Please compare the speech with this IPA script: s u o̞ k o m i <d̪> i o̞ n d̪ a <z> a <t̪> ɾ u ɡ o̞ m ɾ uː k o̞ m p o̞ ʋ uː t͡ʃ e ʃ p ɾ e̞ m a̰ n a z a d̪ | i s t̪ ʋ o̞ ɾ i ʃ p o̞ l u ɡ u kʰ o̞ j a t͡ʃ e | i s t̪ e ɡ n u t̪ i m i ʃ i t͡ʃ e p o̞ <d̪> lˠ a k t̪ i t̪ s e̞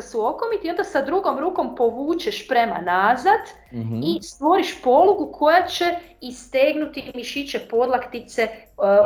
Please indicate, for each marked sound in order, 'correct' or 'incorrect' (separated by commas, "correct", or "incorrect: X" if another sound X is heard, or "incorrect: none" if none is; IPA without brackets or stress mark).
incorrect: t̪, incorrect: s, incorrect: d̪, correct